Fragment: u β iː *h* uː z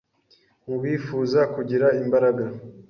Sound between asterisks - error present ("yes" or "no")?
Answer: yes